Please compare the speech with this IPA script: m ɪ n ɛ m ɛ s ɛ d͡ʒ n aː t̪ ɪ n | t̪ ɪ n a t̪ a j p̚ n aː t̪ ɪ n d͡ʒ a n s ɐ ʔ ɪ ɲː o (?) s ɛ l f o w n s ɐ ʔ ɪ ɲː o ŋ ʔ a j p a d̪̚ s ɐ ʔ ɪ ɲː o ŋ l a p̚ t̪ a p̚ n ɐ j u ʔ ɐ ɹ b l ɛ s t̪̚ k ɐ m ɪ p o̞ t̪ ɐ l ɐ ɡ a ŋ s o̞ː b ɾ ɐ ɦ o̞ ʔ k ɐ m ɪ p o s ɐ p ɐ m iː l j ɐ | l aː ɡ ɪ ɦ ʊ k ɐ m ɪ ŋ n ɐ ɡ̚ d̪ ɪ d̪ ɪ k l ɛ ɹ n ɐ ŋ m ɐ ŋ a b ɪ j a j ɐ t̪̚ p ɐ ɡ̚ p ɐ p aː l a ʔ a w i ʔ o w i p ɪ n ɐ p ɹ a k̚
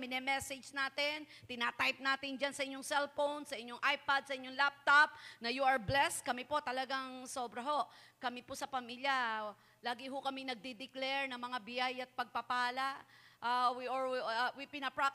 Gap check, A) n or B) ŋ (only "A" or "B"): B